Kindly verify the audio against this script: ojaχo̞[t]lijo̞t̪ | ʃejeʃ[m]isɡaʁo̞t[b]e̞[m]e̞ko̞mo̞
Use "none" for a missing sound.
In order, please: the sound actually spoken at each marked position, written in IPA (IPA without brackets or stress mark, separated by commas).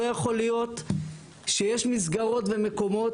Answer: none, m, v, m